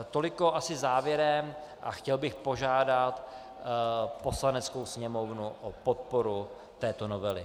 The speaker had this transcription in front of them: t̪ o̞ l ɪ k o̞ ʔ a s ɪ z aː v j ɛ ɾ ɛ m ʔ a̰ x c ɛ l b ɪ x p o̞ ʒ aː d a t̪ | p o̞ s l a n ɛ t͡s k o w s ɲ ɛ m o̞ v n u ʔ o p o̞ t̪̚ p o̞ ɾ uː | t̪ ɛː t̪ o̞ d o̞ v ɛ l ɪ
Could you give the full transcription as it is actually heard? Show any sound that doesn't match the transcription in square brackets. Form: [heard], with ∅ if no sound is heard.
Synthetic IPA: t̪ o̞ l ɪ k o̞ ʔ a s ɪ z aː v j ɛ ɾ ɛ m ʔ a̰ x c ɛ l b ɪ x p o̞ ʒ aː d a t̪ | p o̞ s l a n ɛ t͡s k o w s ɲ ɛ m o̞ v n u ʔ o p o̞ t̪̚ p o̞ ɾ [u] | t̪ ɛː t̪ o̞ [n] o̞ v ɛ l ɪ